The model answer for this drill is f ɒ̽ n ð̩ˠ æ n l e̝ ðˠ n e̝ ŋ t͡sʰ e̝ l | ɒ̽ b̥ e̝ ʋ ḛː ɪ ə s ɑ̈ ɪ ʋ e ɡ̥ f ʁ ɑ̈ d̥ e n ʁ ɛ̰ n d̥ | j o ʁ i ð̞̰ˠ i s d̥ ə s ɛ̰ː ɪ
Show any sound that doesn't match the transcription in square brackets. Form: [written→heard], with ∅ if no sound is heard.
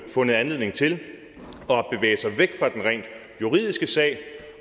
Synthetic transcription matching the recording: f [ɒ̽→ɔ̽] n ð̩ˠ æ n l e̝ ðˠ n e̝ ŋ t͡sʰ e̝ l | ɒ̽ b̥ e̝ ʋ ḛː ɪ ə s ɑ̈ ɪ ʋ e ɡ̥ f ʁ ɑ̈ d̥ e n ʁ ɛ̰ n d̥ | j [o→u] ʁ i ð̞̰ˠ i s [d̥→ɡ̥] ə s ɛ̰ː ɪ